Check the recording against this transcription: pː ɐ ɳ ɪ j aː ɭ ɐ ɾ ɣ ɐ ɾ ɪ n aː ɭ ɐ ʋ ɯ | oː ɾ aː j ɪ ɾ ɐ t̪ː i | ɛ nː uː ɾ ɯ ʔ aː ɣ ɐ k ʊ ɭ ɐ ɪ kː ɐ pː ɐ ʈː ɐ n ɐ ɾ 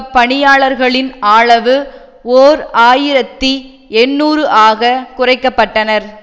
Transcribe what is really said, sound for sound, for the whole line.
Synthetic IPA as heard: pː ɐ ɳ ɪ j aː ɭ ɐ ɾ ɣ ɐ ɭ ɪ n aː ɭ ɐ ʋ ɯ | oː ɾ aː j ɪ ɾ ɐ t̪ː i | ɛ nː uː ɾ ɯ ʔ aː ɣ ɐ k ʊ r ɐ ɪ kː ɐ pː ɐ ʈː ɐ n ɐ ɾ